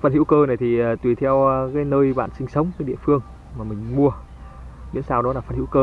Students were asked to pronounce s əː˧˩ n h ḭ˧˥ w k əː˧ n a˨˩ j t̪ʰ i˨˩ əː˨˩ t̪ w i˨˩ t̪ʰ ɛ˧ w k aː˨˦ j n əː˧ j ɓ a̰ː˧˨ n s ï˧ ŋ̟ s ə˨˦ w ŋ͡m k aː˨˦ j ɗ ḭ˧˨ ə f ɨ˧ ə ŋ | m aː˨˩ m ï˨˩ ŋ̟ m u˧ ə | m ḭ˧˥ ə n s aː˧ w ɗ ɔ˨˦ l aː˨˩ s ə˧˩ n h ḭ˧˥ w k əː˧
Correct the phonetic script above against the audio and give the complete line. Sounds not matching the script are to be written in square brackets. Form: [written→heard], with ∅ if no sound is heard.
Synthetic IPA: [s→f] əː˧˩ n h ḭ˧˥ w k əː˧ n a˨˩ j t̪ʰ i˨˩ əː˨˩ t̪ w i˨˩ t̪ʰ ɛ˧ w k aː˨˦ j n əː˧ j ɓ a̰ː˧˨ n s ï˧ ŋ̟ s ə˨˦ w ŋ͡m k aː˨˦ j ɗ ḭ˧˨ ə f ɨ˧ ə ŋ | m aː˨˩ m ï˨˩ ŋ̟ m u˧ ə | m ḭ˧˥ ə n s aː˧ w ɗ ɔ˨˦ l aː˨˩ [s→f] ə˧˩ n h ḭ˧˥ w k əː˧